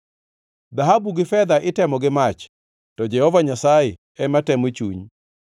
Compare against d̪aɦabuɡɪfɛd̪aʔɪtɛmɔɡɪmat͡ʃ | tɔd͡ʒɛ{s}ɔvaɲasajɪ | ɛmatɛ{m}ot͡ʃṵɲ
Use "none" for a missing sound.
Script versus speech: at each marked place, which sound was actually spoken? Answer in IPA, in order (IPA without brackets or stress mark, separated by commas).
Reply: h, m